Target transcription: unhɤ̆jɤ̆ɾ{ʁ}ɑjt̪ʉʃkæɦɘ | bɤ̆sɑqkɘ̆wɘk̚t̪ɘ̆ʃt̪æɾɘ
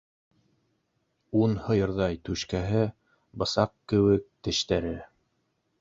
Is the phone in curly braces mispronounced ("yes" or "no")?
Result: yes